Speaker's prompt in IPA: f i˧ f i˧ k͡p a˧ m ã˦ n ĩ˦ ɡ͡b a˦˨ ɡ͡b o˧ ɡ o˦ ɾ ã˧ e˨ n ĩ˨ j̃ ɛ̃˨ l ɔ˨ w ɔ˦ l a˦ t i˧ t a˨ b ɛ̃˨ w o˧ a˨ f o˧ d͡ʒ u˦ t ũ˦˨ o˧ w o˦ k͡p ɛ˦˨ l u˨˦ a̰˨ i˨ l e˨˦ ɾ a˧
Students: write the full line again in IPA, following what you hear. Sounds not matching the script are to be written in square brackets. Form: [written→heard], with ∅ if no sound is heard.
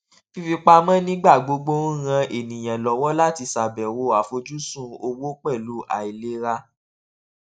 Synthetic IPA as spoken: f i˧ f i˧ k͡p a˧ m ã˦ n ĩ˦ ɡ͡b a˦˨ ɡ͡b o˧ [ɡ→ɡ͡b] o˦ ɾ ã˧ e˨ n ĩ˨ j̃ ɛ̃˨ l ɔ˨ w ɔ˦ l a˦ t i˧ [t→s] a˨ b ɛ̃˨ w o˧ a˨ f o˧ d͡ʒ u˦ [t→s] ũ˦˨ o˧ w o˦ k͡p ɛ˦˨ l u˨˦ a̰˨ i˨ l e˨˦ ɾ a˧